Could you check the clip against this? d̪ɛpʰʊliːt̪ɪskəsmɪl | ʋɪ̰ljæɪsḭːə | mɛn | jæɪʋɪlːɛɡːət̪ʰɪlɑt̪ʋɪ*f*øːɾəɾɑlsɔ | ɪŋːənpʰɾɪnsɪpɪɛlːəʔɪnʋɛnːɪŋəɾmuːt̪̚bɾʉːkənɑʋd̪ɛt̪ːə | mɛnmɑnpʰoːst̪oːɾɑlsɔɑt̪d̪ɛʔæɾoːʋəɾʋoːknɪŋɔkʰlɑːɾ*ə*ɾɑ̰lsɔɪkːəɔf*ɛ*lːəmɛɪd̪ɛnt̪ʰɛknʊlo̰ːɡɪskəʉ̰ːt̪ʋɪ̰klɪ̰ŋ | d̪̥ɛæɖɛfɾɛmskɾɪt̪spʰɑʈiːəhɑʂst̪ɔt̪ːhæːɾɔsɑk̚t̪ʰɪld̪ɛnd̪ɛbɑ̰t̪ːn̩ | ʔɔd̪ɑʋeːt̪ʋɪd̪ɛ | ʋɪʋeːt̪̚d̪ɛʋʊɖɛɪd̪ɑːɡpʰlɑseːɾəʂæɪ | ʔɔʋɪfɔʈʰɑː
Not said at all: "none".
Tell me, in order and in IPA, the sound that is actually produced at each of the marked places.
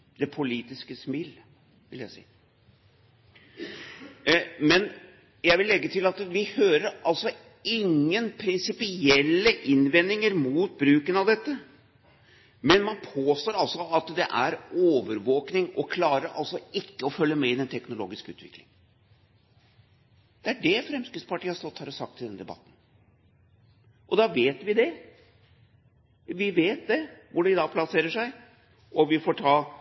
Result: h, ə, œ

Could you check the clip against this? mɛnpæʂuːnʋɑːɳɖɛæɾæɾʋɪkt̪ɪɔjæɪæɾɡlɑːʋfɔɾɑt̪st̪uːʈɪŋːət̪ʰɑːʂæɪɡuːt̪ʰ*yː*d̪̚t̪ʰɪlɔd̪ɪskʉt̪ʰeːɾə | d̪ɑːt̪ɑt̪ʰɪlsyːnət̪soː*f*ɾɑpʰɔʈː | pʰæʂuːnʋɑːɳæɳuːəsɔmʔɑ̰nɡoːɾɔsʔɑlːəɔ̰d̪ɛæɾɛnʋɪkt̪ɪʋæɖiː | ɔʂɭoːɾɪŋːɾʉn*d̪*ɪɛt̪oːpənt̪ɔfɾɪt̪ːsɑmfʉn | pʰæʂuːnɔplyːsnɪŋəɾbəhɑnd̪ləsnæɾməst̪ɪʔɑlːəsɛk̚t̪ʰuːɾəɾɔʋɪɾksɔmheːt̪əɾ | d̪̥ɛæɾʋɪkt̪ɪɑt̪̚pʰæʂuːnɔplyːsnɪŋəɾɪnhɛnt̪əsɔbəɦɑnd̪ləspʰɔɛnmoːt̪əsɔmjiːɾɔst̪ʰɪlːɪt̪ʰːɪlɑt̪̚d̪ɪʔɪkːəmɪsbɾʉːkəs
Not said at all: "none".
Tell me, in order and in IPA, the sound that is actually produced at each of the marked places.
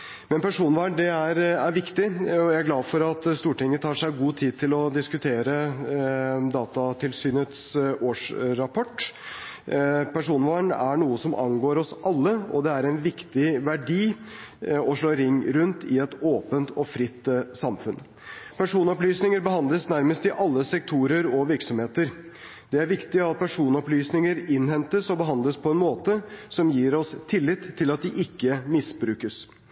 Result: iː, ʂ, t̪

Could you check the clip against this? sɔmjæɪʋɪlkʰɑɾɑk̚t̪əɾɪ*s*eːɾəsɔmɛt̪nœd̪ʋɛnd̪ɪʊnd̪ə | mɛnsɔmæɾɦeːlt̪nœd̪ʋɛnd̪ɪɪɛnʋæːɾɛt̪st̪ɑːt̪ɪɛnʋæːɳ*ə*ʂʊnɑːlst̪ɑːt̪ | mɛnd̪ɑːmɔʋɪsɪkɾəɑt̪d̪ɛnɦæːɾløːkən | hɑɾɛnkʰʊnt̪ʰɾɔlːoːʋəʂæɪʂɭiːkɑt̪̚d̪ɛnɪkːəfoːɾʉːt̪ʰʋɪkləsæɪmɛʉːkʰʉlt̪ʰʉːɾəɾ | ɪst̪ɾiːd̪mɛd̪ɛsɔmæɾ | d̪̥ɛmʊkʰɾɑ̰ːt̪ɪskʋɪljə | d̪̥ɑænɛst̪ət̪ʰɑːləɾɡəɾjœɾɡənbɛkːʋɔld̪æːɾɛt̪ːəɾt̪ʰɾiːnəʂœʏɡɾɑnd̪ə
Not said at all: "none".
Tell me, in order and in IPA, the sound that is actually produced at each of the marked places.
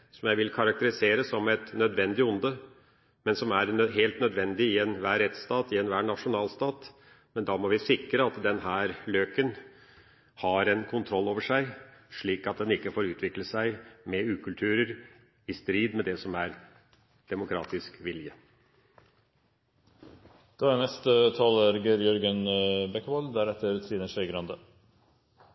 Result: s, ɑ

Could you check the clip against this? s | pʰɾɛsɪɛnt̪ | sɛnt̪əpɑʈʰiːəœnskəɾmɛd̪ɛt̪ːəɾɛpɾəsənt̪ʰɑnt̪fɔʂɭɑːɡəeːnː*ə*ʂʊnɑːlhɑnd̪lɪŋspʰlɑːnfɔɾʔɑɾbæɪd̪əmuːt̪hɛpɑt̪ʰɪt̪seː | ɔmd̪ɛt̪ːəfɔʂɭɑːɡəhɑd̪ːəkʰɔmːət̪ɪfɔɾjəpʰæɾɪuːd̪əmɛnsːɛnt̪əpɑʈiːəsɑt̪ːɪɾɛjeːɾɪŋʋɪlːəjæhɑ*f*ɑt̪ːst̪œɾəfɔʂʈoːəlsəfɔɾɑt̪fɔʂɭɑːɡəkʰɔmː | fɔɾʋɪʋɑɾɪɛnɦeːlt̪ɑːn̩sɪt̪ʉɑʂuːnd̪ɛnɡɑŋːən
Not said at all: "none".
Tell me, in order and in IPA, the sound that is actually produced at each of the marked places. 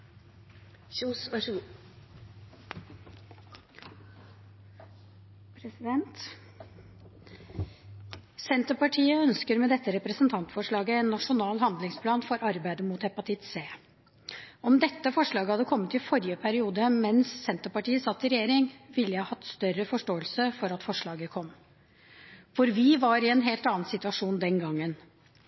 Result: ɑ, h

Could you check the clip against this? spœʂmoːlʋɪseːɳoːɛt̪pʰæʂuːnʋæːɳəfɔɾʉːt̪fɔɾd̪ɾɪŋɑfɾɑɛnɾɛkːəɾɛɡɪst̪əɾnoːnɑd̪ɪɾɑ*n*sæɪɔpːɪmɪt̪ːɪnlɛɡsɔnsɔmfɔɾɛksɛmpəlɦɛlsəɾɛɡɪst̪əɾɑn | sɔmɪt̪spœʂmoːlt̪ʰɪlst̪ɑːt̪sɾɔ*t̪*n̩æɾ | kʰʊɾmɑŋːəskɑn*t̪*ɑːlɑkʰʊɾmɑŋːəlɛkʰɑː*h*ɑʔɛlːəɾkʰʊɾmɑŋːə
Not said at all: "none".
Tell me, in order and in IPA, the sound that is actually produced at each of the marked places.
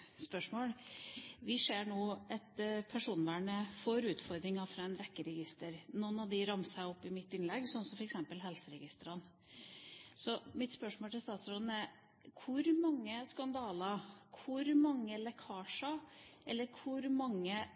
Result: m, d̪, d̪, ʂ

